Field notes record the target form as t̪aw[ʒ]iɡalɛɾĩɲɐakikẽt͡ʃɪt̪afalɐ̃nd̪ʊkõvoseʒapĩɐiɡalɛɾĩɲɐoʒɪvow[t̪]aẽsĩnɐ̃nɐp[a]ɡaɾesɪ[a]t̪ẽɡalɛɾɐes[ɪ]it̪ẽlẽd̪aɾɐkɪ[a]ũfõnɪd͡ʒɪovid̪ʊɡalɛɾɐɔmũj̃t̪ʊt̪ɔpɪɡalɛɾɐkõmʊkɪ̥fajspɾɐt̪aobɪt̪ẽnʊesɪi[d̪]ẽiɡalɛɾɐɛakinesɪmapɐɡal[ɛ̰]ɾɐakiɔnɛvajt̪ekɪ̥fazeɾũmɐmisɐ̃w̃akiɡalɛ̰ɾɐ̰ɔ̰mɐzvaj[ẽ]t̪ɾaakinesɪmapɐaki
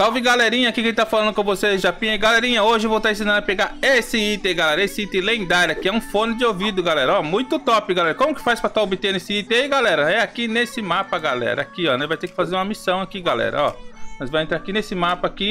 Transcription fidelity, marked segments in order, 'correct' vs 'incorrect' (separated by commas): incorrect, correct, incorrect, incorrect, correct, incorrect, incorrect, correct, correct